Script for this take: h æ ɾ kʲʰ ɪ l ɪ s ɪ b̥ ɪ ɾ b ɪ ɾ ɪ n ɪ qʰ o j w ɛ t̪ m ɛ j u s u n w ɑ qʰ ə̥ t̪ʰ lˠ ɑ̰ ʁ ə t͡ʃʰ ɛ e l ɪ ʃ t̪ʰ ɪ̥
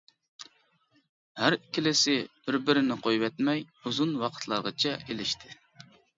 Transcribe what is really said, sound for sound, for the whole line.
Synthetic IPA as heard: h æ ɾ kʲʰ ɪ l ɪ s ɪ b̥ ɪ ɾ b ɪ ɾ ɪ n ɪ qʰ o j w ɛ t̪ m ɛ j u z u n w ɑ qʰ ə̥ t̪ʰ lˠ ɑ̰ ʁ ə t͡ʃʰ ɛ e l ɪ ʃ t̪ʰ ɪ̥